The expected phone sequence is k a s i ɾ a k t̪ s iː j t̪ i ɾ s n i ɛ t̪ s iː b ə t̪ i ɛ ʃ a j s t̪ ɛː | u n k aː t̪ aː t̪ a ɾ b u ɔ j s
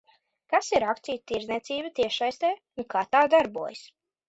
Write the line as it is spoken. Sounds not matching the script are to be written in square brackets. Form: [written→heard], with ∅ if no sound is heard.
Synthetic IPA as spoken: k a s i ɾ a k t̪ s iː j t̪ i ɾ [s→z] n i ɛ t̪ s iː b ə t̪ i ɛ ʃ a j s t̪ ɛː | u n k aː t̪ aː [t̪→d̪] a ɾ b u ɔ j s